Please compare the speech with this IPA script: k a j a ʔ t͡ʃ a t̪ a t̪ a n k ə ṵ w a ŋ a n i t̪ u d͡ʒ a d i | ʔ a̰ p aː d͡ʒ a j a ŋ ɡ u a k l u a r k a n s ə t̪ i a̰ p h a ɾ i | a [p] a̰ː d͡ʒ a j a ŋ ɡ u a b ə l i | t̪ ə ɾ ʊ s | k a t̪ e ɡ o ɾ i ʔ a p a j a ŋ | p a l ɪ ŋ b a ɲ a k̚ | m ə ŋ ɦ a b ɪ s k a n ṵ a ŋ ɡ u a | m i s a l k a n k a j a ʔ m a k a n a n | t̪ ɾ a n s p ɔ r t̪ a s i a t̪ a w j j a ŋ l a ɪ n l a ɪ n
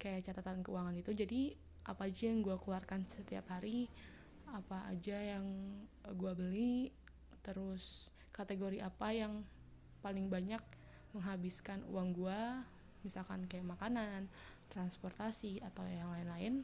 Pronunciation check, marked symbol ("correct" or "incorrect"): correct